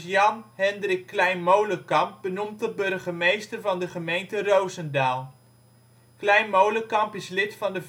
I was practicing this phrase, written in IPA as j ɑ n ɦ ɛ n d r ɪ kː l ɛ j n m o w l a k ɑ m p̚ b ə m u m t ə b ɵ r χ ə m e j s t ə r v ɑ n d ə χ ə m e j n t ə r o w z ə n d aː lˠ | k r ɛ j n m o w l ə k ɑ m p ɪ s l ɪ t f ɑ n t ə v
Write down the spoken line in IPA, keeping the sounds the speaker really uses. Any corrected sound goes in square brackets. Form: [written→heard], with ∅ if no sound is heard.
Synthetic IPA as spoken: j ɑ n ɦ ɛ n d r ɪ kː l ɛ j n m o w l [a→ə] k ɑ m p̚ b ə [m→n] u m t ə b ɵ r χ ə m e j s t ə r v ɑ n d ə χ ə m e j n t ə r o w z ə n d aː lˠ | k [r→l] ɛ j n m o w l ə k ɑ m p ɪ s l ɪ t f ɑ n [t→d] ə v